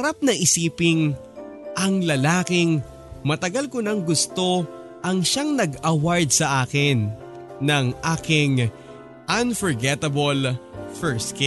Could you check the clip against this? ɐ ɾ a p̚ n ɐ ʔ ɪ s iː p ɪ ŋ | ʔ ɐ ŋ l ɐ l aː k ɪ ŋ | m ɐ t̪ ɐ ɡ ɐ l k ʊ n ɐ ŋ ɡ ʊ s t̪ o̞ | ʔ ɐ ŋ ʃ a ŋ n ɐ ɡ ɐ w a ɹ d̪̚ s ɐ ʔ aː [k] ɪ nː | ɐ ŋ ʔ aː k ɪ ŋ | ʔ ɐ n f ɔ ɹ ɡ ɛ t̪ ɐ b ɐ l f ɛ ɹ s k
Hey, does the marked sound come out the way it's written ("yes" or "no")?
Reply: yes